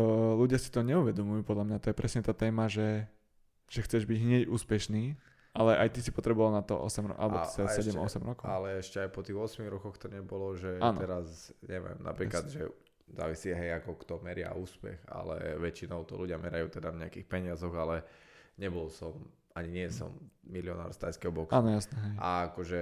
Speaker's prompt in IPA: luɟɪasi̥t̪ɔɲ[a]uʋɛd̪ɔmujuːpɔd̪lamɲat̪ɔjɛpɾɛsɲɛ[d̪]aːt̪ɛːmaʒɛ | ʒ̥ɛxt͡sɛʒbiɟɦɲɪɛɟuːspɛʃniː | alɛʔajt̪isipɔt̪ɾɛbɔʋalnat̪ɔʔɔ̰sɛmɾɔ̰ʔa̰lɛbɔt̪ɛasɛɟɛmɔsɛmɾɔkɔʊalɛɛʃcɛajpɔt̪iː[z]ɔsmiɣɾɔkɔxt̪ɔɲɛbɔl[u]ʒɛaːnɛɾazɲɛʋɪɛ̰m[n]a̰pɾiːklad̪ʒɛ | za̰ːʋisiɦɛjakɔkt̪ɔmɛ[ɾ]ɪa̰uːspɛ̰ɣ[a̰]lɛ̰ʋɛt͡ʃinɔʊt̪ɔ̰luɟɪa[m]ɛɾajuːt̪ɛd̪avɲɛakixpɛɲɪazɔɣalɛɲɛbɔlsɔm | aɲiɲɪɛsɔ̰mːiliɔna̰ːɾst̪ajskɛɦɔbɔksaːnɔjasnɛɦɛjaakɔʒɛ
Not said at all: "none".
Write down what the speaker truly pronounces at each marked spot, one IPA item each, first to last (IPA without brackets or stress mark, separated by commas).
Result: ɛ, t̪, ɣ, ɔ, n, ɾ, a̰, m